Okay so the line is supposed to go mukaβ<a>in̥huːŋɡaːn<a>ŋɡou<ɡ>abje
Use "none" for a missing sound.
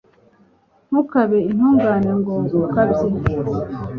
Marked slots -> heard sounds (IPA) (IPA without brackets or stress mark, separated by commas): e, e, k